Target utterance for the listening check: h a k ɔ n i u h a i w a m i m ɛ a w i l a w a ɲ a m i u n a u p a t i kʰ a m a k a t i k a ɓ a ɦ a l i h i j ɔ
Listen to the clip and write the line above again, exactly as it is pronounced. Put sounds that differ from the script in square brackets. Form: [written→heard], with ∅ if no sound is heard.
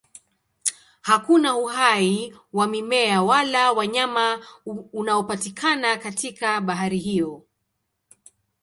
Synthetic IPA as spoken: h a k [ɔ→u] n [i→a] u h a i w a m i m ɛ a w [i→a] l a w a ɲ a m [i→a] u n a [u→ɔ] p a t i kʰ a [m→n] a k a t i k a ɓ a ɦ a [l→ɾ] i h i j ɔ